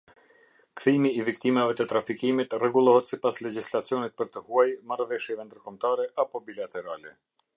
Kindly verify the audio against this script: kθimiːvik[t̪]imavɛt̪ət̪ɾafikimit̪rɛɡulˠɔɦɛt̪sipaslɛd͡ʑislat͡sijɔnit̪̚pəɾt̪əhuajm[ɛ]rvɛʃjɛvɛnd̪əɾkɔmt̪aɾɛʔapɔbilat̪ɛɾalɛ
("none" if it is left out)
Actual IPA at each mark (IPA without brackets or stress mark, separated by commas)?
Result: t̪, a